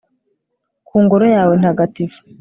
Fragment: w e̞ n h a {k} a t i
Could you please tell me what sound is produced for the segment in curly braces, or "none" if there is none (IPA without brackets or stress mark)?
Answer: ɡ